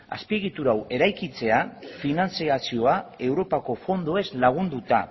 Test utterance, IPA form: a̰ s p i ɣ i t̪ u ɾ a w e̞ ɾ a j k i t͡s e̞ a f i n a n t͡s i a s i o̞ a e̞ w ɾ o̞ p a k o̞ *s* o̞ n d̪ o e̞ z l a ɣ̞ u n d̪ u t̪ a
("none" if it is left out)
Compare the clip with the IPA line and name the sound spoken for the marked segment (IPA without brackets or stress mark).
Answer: f